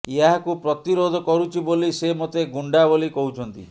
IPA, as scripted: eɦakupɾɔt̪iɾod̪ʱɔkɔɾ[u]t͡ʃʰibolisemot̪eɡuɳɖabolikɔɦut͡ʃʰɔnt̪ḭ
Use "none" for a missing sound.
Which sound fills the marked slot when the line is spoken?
u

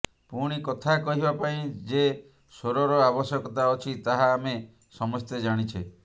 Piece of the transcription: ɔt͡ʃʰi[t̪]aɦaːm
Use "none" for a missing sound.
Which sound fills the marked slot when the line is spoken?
t̪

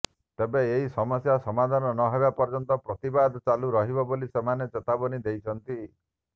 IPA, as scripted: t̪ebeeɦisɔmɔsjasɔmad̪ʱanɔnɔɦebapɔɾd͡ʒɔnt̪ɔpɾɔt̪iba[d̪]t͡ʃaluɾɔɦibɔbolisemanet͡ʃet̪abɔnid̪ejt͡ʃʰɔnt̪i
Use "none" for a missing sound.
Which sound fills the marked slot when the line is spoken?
d̪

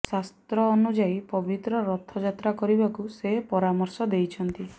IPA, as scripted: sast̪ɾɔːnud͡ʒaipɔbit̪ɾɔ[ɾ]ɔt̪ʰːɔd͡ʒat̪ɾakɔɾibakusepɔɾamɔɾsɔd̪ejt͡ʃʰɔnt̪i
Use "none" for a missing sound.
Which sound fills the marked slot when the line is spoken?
ɾ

